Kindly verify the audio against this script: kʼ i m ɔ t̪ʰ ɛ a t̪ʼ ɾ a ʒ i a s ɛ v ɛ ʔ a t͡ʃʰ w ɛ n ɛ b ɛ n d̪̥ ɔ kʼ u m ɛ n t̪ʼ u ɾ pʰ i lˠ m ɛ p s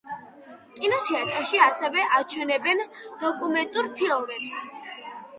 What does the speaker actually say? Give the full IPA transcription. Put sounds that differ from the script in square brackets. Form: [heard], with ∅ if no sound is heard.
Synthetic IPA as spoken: kʼ i [n] ɔ t̪ʰ ɛ a t̪ʼ ɾ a [ʃ] i a s ɛ v ɛ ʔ a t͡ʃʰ w ɛ n ɛ b ɛ n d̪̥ ɔ kʼ u m ɛ n t̪ʼ u ɾ pʰ i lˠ m ɛ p s